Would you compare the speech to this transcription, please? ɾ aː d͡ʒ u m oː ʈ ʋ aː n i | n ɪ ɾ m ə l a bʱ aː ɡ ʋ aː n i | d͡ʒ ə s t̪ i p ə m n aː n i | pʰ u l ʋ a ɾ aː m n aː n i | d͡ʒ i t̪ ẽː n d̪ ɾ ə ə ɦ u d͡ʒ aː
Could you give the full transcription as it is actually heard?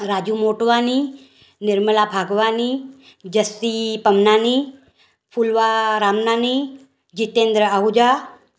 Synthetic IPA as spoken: ɾ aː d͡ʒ u m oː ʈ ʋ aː n i | n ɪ ɾ m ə l a bʱ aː ɡ ʋ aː n i | d͡ʒ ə s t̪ i p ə m n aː n i | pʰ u l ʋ a ɾ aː m n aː n i | d͡ʒ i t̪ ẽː n d̪ ɾ ə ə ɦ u d͡ʒ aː